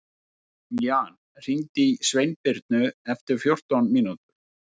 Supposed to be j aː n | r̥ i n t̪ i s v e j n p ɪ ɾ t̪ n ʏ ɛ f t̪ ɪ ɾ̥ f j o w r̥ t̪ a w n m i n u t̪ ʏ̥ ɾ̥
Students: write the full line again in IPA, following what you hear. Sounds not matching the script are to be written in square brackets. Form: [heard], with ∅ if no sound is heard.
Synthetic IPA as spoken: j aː n | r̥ i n t̪ i s v e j n p ɪ ɾ t̪ n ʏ ɛ f t̪ ɪ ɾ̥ f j o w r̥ t̪ a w n m i n u t̪ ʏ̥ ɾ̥